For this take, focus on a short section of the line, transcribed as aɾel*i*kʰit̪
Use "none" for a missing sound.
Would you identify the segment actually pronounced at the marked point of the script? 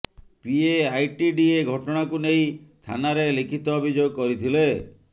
i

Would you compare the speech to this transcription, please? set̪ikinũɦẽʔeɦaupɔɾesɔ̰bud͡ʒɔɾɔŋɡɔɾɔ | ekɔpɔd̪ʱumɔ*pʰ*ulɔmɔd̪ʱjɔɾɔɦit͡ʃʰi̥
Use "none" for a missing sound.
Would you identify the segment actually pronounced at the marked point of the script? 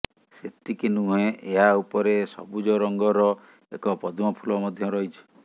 pʰ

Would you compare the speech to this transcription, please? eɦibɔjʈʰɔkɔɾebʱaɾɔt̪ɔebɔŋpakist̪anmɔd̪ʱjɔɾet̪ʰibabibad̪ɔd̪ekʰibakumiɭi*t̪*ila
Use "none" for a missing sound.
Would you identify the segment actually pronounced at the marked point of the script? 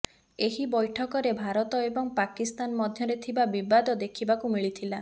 t̪ʰ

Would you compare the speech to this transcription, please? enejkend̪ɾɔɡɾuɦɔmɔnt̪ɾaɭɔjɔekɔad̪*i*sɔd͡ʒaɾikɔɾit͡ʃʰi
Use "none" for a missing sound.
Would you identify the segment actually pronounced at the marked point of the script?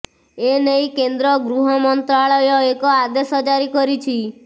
e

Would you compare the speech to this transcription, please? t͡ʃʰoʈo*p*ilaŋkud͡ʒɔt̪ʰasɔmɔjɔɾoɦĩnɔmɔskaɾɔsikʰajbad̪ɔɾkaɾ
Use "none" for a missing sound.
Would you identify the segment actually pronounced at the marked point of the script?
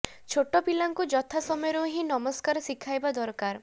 p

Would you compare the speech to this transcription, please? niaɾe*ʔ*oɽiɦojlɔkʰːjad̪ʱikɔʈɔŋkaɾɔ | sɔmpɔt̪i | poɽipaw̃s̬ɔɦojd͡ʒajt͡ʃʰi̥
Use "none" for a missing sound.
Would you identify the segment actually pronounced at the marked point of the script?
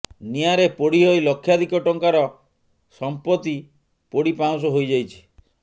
p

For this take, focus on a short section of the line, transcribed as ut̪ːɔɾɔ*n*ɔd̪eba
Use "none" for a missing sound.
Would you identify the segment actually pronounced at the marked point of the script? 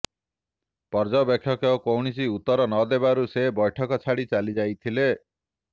n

